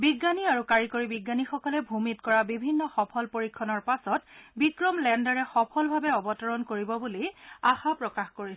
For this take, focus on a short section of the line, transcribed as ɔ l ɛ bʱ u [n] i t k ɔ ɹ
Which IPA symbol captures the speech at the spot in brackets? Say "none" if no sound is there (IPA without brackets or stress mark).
m